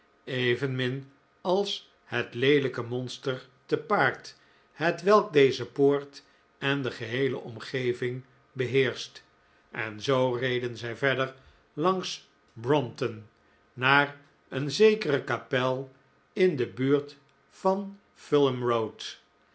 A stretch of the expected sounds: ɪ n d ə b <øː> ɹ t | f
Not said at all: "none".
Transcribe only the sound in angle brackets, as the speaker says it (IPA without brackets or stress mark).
yː